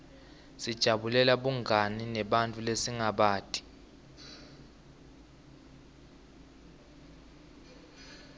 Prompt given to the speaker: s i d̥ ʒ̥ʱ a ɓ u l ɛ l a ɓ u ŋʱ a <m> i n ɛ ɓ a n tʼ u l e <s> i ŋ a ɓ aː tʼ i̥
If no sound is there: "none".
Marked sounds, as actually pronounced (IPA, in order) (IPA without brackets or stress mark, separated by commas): n, s